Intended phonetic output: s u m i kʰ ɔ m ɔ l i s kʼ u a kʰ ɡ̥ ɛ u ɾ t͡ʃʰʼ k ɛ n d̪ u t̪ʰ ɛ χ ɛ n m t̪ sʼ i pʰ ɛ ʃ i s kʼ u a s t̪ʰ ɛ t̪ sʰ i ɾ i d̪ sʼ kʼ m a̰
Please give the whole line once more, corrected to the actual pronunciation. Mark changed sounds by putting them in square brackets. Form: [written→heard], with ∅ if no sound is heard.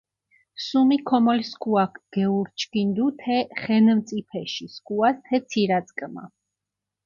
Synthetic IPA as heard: s u m i kʰ ɔ m ɔ l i s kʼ u a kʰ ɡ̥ ɛ u ɾ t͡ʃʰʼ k [ɛ→i] n d̪ u t̪ʰ ɛ χ ɛ n m t̪ sʼ i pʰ ɛ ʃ i s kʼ u a s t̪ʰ ɛ t̪ sʰ i ɾ [i→a] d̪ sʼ kʼ m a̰